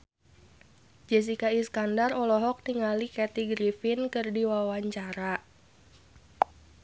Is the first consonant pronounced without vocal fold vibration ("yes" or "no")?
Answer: no